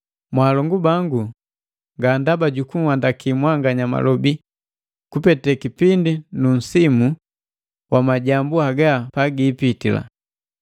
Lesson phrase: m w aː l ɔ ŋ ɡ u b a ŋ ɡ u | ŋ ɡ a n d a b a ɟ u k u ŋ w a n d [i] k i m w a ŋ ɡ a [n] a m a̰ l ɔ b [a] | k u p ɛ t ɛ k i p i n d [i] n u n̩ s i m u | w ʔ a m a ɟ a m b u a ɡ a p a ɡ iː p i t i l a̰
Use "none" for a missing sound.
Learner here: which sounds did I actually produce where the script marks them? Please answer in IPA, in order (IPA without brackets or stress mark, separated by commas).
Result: a, ɲ, i, i